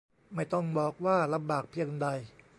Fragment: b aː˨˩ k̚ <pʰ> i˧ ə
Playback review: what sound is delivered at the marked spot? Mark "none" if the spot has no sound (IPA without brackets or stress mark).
pʰ